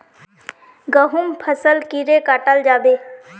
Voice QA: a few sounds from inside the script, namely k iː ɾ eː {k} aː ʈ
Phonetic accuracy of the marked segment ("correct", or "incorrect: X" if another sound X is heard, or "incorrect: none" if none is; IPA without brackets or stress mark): correct